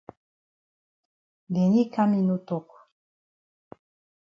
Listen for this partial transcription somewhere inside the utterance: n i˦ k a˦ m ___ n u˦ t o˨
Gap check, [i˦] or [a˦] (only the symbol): i˦